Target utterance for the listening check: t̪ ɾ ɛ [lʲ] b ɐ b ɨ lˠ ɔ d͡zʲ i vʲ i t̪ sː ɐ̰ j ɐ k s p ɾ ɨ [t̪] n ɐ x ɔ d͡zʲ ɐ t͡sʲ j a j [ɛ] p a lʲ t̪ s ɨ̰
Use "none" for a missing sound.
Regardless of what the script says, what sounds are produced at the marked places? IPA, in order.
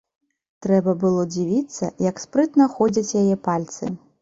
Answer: none, t̪, ɛ

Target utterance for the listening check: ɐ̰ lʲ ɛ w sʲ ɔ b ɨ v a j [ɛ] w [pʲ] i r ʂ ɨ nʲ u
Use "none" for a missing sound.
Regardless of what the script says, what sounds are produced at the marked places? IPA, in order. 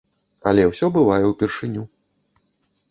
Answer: ɛ, pʲ

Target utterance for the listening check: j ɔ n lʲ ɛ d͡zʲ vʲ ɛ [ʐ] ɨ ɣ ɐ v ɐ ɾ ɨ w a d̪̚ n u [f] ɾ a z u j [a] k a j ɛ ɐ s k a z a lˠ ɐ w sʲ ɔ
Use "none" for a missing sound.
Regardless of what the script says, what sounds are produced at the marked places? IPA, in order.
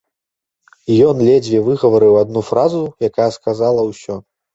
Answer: v, f, a

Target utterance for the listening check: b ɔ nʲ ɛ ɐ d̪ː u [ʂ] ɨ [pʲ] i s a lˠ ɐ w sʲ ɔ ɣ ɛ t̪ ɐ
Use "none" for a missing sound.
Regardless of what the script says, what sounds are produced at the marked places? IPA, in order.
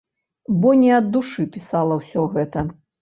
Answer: ʂ, pʲ

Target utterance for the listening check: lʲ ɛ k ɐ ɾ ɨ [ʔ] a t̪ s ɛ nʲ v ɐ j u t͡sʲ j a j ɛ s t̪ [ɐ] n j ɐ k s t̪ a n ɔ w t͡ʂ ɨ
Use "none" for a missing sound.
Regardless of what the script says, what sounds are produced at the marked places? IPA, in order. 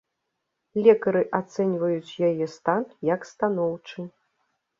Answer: ʔ, a

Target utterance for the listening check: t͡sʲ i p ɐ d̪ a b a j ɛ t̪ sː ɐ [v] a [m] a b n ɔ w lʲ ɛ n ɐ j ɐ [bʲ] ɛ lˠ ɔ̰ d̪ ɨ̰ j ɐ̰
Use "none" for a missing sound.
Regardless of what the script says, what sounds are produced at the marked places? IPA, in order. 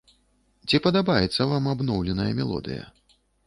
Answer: v, m, mʲ

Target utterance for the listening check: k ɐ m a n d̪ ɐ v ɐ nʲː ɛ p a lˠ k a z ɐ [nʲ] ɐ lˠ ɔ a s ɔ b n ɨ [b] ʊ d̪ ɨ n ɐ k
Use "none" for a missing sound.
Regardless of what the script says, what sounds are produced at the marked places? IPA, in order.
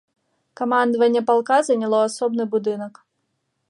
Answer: nʲ, b

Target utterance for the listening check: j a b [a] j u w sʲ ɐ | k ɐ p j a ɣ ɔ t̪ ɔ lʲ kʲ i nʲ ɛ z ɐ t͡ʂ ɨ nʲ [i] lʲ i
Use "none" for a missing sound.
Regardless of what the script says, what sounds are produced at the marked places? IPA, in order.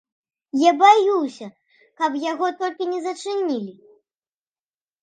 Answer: a, i

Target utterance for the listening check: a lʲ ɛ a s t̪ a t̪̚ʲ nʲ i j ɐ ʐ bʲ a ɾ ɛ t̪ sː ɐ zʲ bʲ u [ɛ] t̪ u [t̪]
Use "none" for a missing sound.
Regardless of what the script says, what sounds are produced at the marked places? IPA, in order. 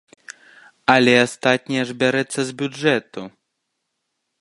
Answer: ɛ, none

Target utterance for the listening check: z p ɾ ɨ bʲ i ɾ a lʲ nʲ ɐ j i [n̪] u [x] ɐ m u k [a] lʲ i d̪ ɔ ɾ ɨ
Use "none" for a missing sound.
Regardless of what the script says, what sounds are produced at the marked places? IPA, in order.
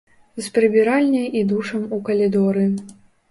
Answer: d̪, ʂ, ɐ

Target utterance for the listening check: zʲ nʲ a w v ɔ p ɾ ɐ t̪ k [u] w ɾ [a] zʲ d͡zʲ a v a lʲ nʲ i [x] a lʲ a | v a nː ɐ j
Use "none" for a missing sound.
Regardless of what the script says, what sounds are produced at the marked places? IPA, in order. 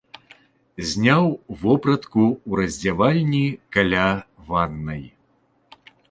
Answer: u, ɐ, k

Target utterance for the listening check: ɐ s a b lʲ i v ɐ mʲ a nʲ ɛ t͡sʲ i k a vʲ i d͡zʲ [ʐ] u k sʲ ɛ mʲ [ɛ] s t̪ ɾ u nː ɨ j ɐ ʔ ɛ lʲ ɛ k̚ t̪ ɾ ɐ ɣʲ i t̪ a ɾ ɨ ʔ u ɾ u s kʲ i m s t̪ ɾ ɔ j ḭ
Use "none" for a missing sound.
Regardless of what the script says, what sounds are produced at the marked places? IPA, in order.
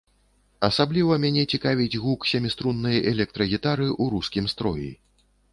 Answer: ɣ, i

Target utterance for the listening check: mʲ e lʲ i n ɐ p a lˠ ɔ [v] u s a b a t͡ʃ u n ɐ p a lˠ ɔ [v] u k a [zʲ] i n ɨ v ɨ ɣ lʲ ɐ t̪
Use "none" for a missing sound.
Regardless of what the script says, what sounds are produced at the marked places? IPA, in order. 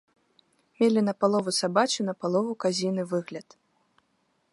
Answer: v, v, zʲ

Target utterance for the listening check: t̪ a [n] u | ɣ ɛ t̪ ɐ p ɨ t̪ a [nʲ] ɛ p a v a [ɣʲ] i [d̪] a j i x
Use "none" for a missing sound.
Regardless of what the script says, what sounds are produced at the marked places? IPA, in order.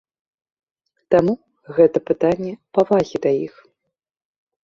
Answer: m, nʲː, ɣʲ, d̪

